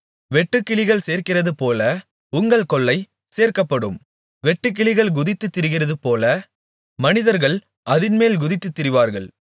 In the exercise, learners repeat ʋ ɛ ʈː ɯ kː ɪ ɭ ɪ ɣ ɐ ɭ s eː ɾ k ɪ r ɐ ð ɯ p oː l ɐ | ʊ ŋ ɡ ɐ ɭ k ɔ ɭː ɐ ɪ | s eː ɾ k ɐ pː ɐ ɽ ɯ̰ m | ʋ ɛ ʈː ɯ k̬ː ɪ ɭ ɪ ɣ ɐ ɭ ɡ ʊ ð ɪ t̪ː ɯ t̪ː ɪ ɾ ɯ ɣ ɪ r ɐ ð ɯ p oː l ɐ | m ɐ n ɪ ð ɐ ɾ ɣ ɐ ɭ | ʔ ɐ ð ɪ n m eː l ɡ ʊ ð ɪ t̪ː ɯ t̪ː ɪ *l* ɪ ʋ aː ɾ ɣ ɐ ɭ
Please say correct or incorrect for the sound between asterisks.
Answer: incorrect